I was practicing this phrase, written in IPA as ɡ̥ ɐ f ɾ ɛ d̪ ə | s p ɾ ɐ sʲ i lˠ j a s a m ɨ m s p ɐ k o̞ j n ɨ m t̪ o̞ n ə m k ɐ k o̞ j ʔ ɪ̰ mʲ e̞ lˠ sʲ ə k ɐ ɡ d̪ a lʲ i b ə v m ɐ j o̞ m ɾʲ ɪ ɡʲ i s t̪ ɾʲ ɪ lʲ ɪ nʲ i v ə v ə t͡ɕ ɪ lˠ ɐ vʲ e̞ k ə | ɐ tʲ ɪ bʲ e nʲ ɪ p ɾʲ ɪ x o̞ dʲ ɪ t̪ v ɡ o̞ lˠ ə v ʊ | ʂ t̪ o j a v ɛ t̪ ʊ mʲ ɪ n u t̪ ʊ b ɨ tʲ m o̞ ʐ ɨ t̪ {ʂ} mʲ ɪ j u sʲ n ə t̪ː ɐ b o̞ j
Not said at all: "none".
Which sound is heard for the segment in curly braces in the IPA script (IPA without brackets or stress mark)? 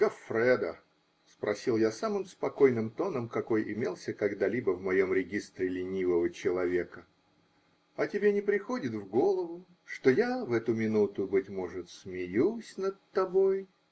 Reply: s